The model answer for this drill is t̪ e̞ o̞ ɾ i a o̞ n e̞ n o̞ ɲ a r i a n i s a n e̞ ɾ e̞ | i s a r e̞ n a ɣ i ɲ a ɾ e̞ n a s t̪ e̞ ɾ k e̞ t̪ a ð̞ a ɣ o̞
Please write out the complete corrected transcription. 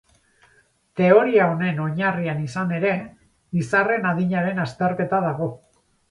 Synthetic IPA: t̪ e̞ o̞ ɾ i a o̞ n e̞ n o̞ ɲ a r i a n i s a n e̞ ɾ e̞ | i s a r e̞ n a ð i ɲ a ɾ e̞ n a s t̪ e̞ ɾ k e̞ t̪ a ð̞ a ɣ o̞